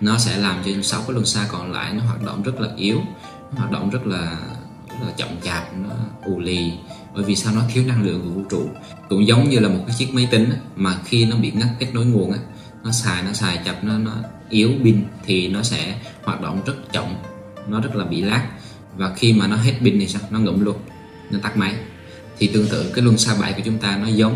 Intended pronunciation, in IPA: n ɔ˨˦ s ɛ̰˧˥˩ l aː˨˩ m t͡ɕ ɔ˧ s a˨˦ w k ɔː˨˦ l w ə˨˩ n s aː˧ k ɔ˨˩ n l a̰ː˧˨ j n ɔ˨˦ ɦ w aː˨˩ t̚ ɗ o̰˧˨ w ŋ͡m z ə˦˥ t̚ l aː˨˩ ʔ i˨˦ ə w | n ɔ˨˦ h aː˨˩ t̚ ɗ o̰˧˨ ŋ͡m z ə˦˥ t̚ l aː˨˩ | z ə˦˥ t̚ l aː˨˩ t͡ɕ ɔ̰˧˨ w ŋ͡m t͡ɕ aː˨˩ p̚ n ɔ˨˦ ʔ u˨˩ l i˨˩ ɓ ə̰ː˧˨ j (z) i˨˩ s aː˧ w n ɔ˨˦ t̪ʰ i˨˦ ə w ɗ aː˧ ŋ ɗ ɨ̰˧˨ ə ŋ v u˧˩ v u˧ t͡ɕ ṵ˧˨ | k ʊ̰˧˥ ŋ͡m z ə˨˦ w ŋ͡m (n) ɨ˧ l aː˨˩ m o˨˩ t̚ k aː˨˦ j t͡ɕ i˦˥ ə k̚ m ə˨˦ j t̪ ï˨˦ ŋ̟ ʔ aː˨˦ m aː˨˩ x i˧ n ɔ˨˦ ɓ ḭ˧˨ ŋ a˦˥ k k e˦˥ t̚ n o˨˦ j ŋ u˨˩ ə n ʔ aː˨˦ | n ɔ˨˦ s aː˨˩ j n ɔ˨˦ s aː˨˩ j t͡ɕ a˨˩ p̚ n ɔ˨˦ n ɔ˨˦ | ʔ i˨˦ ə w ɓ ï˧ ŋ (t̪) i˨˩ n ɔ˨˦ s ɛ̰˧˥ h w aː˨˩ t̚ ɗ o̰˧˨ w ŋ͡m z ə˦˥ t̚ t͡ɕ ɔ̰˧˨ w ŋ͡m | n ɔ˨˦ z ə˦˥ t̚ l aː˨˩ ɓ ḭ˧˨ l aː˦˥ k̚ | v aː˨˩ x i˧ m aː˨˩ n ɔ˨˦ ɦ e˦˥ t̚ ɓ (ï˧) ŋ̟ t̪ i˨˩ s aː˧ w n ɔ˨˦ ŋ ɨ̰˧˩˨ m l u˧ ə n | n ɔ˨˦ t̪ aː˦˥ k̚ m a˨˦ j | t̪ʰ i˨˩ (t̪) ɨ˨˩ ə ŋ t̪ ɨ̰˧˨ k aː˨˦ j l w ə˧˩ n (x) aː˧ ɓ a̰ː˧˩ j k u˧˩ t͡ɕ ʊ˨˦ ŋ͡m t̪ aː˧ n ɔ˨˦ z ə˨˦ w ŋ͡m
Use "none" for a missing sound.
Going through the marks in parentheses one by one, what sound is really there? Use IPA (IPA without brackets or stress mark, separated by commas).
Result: v, ɲ, t̪ʰ, ï˧, t̪, s